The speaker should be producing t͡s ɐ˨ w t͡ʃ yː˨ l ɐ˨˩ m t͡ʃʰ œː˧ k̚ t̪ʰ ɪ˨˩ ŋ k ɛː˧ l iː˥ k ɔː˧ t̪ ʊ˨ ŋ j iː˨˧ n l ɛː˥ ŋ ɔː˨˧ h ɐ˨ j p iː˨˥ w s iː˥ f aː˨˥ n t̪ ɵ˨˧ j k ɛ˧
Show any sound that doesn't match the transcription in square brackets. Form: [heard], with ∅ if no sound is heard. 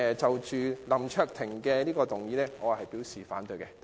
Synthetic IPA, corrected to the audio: t͡s ɐ˨ w t͡ʃ yː˨ l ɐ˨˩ m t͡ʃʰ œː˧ k̚ t̪ʰ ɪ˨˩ ŋ k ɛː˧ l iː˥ k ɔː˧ t̪ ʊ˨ ŋ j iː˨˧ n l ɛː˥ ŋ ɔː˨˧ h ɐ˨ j p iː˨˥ w s [iː˨] f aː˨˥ n t̪ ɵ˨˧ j k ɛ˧

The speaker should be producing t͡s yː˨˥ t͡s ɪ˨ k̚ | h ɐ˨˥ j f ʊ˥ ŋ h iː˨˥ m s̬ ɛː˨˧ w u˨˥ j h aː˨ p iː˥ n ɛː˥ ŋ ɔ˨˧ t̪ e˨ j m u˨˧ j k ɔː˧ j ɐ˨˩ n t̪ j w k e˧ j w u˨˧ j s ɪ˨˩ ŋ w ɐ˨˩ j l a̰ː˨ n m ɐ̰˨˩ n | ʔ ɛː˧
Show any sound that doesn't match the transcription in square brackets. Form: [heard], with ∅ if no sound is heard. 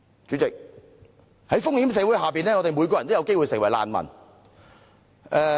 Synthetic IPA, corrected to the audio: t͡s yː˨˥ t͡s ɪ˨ k̚ | h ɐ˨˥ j f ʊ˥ ŋ h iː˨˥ m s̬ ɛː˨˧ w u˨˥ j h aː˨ p [iː˨] n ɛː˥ ŋ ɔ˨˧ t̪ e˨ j m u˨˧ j k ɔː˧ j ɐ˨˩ n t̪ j w k [e˥] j w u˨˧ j s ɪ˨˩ ŋ w ɐ˨˩ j l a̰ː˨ n m ɐ̰˨˩ n | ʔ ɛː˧

